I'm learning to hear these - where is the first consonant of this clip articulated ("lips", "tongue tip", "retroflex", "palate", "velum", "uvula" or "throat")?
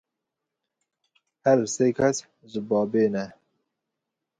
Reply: throat